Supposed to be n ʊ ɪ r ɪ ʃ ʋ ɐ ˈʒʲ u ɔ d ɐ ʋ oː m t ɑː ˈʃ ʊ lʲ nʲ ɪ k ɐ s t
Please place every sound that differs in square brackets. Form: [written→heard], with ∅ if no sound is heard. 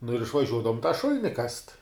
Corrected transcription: n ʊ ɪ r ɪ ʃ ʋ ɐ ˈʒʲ u ɔ d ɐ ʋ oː m t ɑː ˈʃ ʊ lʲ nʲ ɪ k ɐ s t